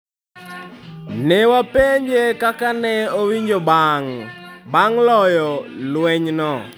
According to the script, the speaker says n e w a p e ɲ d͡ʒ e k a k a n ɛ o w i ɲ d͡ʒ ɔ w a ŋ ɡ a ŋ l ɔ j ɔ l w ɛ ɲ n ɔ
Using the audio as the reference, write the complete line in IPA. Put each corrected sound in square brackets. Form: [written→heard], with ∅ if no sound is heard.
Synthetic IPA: n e w a p e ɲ d͡ʒ e k a k a n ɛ o w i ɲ d͡ʒ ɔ [w→b] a ŋ [ɡ→b] a ŋ l ɔ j ɔ l w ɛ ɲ n ɔ